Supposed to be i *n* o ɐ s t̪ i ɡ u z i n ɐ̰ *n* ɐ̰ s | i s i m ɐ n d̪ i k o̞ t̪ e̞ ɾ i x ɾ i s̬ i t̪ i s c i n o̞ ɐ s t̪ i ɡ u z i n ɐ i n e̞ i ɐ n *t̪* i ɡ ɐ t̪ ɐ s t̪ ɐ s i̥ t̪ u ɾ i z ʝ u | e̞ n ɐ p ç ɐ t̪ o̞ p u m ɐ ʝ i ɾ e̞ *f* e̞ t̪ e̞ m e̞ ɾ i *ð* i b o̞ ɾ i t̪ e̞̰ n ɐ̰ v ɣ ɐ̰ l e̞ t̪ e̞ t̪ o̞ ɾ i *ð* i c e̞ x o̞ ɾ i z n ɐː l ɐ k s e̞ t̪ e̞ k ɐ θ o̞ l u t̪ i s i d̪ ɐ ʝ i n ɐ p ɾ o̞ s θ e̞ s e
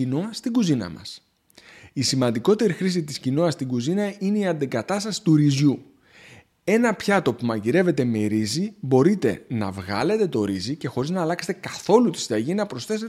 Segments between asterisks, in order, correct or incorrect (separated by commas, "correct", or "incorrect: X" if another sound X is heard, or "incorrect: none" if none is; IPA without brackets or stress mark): correct, incorrect: m, incorrect: d̪, incorrect: v, incorrect: z, incorrect: z